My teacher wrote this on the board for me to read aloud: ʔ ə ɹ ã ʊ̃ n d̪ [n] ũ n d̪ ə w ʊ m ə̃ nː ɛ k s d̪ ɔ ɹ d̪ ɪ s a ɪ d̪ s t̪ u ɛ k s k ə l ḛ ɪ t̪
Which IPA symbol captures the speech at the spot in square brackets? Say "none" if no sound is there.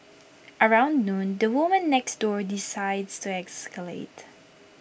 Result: n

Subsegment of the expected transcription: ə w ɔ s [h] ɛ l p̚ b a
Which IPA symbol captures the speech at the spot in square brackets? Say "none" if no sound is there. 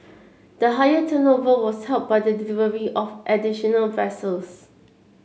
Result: h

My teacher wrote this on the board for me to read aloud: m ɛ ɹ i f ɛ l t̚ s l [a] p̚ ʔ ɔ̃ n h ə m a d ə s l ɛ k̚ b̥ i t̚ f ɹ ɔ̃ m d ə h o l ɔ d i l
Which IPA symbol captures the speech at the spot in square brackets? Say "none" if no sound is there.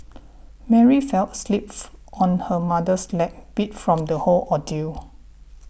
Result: i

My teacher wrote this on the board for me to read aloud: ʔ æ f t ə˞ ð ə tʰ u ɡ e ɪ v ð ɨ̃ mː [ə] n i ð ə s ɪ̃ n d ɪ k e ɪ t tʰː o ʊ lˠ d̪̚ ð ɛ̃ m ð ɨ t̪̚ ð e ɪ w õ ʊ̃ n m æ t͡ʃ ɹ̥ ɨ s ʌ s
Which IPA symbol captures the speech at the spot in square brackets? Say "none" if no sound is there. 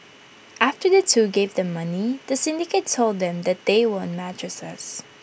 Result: ʌ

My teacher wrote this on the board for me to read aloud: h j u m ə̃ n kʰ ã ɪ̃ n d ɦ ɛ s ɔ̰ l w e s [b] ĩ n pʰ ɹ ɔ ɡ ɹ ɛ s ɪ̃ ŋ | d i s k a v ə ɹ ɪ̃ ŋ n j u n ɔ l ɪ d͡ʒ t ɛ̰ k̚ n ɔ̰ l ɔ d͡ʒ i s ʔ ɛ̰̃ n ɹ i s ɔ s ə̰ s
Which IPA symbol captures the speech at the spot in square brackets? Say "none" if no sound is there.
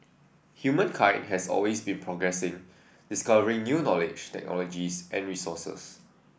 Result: b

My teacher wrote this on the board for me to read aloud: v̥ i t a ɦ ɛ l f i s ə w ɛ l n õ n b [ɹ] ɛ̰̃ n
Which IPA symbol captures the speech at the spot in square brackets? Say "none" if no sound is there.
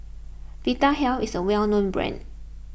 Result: ɹ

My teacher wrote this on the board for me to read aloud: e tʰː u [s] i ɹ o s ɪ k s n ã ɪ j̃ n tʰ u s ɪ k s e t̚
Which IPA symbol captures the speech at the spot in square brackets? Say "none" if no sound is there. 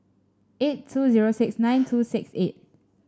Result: z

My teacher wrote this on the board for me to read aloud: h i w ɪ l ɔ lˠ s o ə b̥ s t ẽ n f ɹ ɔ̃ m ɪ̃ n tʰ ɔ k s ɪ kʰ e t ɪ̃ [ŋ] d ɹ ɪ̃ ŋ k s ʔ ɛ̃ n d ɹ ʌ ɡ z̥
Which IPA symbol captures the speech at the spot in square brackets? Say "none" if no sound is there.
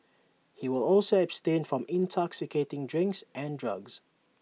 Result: ŋ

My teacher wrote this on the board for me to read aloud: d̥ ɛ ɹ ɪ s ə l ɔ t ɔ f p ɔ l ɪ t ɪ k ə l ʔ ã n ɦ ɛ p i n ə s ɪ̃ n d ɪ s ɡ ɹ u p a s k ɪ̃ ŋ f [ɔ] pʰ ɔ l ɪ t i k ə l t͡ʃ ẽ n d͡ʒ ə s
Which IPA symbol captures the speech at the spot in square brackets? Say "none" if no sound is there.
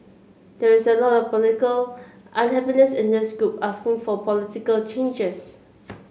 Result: ɔ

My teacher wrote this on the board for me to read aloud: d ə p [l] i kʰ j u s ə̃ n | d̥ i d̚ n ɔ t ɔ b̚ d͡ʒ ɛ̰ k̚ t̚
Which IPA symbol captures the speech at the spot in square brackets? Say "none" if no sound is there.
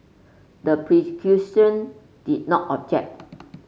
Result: ɹ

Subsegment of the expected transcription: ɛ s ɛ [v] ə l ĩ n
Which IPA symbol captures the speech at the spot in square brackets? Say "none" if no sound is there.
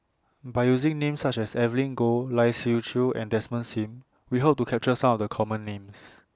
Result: v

